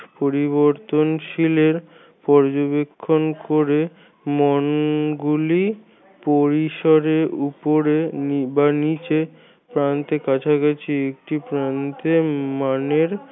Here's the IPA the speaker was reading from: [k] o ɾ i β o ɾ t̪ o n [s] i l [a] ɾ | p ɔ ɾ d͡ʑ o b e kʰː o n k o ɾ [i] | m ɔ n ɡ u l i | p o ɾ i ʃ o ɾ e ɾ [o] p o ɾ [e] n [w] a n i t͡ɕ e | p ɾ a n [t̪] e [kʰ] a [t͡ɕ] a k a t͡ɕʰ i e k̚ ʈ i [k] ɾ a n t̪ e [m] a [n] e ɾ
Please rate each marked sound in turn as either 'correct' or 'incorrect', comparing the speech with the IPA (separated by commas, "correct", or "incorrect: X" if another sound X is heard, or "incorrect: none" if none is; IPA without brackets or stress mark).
incorrect: p, incorrect: ʃ, incorrect: e, incorrect: e, incorrect: u, correct, incorrect: b, correct, incorrect: k, incorrect: t͡ɕʰ, incorrect: p, correct, correct